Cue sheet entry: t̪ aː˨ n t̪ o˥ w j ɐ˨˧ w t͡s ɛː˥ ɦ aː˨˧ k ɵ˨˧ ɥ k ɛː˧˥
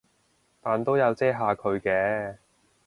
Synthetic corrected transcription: t̪ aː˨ n t̪ o˥ w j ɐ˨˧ w t͡s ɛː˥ ɦ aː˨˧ kʰ ɵ˨˧ ɥ k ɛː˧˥